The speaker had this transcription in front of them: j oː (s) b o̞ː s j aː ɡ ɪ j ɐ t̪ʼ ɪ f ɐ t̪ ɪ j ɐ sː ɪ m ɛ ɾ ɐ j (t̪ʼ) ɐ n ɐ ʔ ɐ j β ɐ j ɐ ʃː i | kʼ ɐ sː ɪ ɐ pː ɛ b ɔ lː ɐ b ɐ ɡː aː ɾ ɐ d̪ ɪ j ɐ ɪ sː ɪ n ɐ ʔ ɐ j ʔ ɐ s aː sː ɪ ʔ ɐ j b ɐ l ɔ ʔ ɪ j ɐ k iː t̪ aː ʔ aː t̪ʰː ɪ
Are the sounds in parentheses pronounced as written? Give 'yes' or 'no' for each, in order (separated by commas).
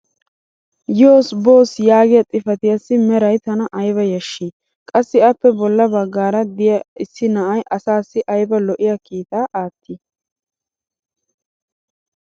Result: yes, no